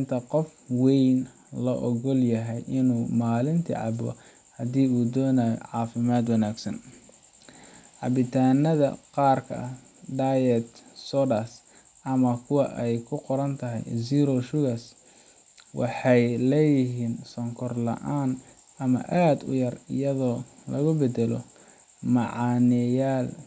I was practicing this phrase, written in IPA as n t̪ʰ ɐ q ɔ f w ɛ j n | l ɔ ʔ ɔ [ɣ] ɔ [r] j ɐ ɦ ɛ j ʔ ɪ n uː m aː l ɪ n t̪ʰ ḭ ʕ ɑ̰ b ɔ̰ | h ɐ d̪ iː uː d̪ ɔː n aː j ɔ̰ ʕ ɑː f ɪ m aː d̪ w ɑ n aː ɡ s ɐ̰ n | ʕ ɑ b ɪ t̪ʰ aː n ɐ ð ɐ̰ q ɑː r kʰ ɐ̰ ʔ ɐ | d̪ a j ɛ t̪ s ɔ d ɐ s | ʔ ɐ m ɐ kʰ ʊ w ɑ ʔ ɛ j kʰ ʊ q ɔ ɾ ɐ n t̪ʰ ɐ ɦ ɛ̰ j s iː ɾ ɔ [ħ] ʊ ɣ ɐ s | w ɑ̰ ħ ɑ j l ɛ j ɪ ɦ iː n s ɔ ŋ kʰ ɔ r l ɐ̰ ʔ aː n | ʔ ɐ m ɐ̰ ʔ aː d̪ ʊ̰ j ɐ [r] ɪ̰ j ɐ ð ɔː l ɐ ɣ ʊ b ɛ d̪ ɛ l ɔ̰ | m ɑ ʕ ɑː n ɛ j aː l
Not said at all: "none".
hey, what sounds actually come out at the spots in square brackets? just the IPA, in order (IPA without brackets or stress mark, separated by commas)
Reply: ɣ, l, ʃ, r